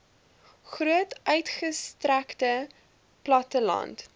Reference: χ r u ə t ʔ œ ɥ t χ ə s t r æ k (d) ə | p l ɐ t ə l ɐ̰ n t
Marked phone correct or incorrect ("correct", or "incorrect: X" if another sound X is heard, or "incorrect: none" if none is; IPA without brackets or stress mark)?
incorrect: t